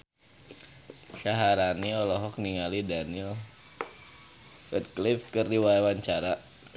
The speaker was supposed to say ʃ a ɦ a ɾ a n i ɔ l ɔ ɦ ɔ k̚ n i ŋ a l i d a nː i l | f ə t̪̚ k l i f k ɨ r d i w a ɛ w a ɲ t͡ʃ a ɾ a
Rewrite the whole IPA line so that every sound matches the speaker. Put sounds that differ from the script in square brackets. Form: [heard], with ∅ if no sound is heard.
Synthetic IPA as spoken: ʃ a ɦ a ɾ a n i ɔ l ɔ ɦ ɔ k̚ n i ŋ a l i d a [n] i l | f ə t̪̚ k l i f k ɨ r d i w a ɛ w a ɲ t͡ʃ a ɾ a

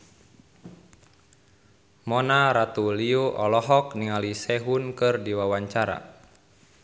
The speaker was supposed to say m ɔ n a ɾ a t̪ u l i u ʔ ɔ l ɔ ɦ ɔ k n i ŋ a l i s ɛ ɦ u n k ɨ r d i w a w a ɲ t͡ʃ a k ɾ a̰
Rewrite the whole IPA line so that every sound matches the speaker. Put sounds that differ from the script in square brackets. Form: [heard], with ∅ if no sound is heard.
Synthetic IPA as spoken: m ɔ n a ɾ a t̪ u l i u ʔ ɔ l ɔ ɦ ɔ k n i ŋ a l i s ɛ ɦ u n k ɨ r d i w a w a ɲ t͡ʃ a [∅] ɾ a̰

